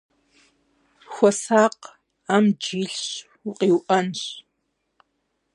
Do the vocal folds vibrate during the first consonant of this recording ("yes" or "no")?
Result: no